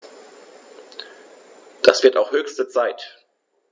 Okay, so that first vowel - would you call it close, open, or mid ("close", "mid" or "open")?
open